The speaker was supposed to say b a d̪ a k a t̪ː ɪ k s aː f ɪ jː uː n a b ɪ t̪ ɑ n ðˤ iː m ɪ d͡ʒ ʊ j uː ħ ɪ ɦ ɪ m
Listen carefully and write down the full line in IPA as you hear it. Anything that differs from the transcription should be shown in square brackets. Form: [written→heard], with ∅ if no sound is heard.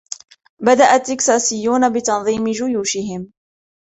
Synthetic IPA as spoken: b a d̪ a [k→ʔ] a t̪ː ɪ k s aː [f→s] ɪ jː uː n a b ɪ t̪ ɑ n ðˤ iː m ɪ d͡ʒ ʊ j uː [ħ→ʃ] ɪ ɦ ɪ m